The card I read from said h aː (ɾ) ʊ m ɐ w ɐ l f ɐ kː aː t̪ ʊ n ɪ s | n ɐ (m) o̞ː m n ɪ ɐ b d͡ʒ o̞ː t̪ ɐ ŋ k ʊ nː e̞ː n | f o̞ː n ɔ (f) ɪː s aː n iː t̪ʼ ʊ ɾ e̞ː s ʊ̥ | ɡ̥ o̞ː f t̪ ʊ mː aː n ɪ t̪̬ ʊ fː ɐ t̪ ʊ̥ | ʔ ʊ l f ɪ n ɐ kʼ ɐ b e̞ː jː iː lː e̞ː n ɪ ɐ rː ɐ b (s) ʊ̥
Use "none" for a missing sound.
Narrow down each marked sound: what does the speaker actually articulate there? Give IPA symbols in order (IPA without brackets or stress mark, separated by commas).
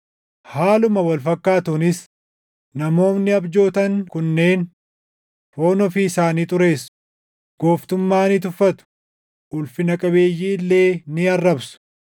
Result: l, m, f, s